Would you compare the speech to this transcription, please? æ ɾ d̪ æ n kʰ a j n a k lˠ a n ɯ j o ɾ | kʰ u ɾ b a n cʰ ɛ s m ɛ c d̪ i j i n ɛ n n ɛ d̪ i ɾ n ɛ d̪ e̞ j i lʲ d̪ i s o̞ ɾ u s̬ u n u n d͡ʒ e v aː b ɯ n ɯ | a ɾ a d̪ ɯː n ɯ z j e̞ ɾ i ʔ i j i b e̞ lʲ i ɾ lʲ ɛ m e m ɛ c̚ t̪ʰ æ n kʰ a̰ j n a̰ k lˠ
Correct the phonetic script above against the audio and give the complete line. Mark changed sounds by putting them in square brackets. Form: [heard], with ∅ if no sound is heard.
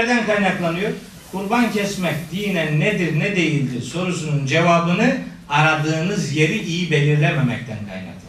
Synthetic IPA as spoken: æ ɾ d̪ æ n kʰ a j n a k lˠ a n ɯ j o ɾ | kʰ u ɾ b a n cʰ ɛ s m ɛ c d̪ i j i n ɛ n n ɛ d̪ i ɾ n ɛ d̪ e̞ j i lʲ d̪ i s o̞ ɾ u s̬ u n u n d͡ʒ e v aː b ɯ n ɯ | a ɾ a d̪ ɯː n ɯ z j e̞ ɾ i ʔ i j i b e̞ lʲ i ɾ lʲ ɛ m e m ɛ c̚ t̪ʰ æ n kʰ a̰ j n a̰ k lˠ